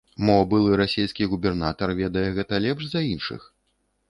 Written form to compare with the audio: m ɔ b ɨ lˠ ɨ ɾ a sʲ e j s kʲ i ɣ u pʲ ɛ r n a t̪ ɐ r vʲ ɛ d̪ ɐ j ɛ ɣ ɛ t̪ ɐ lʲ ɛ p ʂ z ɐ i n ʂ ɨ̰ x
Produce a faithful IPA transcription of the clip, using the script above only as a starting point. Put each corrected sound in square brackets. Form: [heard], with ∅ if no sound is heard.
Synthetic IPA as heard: m ɔ b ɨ lˠ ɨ ɾ a sʲ e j s kʲ i ɣ u [bʲ] ɛ r n a t̪ ɐ r vʲ ɛ d̪ ɐ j ɛ ɣ ɛ t̪ ɐ lʲ ɛ p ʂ z ɐ i n ʂ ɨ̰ x

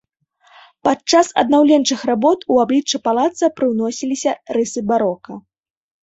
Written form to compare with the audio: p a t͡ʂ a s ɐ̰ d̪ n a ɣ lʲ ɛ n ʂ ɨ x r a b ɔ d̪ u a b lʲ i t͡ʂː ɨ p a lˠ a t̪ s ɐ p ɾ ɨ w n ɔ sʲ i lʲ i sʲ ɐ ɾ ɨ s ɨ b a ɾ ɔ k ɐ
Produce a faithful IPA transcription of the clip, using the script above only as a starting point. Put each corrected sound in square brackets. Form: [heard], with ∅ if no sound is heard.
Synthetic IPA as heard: p a t͡ʂ a s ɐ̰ d̪ n a [w] lʲ ɛ n [t͡ʂ] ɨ x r a b ɔ [t̪] u a b lʲ i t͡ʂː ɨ p a lˠ a t̪ s ɐ p ɾ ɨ w n ɔ sʲ i lʲ i sʲ ɐ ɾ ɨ s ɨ b a ɾ ɔ k ɐ

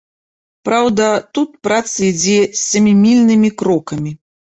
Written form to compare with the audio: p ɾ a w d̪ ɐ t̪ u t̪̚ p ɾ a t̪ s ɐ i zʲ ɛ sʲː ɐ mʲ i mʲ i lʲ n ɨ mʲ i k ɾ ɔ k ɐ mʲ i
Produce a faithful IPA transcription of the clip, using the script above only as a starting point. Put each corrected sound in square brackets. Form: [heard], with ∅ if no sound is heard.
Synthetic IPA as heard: p ɾ a w d̪ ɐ t̪ u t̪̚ p ɾ a t̪ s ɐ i [d͡zʲ] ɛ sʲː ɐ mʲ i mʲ i lʲ n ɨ mʲ i k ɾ ɔ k ɐ mʲ i

